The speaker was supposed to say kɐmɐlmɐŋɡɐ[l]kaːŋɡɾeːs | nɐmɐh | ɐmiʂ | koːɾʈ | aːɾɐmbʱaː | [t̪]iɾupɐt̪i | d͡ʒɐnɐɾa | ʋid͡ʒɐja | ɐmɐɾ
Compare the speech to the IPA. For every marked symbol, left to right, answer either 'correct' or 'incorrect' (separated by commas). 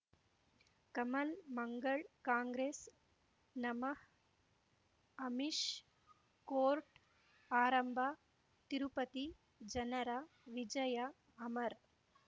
incorrect, correct